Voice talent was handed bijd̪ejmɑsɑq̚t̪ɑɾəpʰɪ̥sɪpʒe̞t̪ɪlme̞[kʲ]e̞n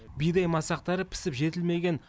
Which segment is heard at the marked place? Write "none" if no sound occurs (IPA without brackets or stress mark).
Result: ɡʲ